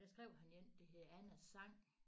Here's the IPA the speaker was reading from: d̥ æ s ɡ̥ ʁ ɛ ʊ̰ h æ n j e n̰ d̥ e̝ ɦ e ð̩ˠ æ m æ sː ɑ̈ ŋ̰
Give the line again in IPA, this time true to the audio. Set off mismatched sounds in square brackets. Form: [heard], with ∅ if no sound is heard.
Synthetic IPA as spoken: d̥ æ s ɡ̥ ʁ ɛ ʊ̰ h æ n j e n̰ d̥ e̝ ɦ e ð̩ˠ æ [n] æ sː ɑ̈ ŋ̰